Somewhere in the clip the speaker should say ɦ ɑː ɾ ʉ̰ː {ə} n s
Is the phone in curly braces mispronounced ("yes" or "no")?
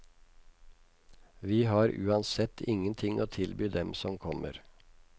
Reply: yes